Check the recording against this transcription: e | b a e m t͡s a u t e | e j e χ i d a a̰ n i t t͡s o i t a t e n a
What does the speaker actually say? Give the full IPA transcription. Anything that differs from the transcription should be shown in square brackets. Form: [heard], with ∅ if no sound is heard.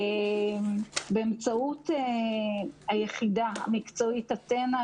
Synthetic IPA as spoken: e | b [e] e m t͡s a u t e | [a] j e χ i d a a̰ [m] i [k] t͡s o i t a t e n a